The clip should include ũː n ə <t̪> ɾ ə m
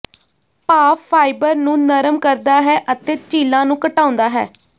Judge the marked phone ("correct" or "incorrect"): incorrect